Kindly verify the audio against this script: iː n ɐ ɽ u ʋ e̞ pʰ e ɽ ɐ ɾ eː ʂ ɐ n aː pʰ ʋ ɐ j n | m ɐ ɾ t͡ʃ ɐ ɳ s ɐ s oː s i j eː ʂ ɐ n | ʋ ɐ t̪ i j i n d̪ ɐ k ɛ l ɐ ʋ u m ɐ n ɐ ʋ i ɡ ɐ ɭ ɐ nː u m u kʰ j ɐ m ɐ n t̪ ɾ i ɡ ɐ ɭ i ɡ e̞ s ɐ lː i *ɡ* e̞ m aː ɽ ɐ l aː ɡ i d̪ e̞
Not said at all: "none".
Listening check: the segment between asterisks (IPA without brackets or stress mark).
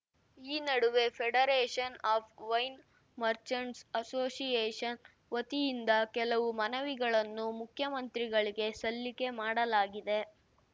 k